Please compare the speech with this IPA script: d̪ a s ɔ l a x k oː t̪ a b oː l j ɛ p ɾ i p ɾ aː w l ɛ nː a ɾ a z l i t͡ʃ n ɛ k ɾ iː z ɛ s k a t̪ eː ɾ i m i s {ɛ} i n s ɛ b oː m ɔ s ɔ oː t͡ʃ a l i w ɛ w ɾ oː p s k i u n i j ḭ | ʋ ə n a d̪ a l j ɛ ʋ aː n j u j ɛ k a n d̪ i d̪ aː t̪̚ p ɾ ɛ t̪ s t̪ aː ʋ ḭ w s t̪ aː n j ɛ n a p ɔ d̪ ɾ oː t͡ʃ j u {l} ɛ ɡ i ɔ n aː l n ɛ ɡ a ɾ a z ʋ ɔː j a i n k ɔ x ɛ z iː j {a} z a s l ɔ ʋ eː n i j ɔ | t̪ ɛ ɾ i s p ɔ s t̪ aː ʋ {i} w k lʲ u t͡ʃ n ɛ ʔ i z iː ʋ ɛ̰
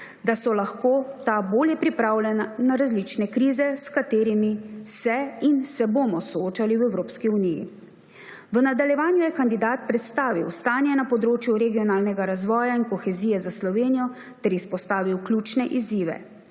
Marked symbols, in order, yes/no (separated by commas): yes, no, no, yes